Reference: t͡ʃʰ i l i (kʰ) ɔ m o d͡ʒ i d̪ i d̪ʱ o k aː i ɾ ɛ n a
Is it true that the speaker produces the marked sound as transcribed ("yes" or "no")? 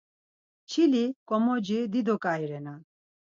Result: no